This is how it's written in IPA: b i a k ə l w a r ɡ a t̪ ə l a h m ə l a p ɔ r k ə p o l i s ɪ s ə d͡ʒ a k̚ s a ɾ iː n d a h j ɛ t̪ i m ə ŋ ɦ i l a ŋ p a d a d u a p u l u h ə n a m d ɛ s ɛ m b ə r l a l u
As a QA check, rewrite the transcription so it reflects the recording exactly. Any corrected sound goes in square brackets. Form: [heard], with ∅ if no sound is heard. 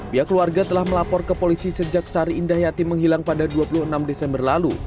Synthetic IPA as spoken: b i a k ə l [u] a r ɡ a t̪ ə l a h m ə l a p ɔ r k ə p o l i s [i] s ə d͡ʒ a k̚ s a ɾ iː n d a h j [a] t̪ i m ə ŋ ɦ i l a ŋ p a d a d u a p u l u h ə n a m d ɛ s ɛ m b ə r l a l u